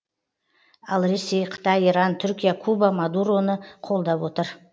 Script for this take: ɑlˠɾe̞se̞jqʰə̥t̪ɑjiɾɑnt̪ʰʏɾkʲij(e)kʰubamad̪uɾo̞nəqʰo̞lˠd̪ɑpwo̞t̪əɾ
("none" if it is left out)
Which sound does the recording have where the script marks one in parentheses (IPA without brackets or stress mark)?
a